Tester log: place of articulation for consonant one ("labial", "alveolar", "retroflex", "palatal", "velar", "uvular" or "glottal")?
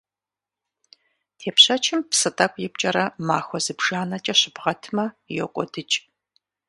alveolar